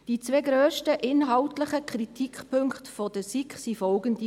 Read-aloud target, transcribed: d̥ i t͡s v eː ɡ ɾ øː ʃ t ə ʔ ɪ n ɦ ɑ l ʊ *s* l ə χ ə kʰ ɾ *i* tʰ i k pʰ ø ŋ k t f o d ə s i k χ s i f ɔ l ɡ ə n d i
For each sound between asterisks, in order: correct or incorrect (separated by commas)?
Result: incorrect, correct